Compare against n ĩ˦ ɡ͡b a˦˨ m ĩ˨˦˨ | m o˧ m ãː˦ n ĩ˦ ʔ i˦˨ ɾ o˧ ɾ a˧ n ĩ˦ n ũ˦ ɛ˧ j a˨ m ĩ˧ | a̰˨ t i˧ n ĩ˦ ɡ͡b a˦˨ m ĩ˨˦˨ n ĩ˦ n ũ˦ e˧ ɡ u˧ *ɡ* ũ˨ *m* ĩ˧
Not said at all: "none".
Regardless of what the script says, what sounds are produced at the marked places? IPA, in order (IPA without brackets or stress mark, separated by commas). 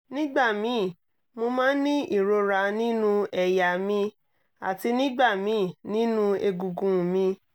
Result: ɡ, m